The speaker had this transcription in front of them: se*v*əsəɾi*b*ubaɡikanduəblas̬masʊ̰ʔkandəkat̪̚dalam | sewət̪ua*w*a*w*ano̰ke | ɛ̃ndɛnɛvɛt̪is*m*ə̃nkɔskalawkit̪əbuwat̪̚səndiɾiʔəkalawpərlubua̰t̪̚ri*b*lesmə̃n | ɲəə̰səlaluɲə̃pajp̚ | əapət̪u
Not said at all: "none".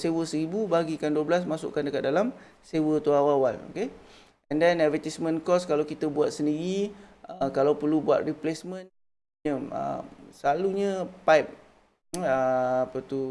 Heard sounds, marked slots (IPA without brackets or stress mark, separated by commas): w, b, w, w, m, p